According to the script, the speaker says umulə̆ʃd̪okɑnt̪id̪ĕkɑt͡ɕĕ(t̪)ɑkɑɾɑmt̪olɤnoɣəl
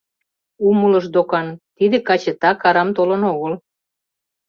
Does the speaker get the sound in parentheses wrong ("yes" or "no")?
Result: no